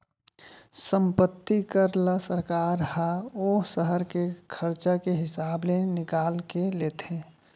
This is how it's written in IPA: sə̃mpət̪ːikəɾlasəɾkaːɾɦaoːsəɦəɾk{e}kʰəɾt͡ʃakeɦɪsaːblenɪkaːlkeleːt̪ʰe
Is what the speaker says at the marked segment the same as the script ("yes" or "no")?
yes